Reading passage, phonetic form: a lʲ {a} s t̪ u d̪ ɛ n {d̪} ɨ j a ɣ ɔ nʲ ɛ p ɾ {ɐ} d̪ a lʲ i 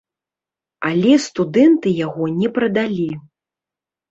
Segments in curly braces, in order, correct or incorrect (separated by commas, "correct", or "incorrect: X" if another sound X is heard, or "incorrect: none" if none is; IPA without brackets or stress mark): incorrect: ɛ, incorrect: t̪, correct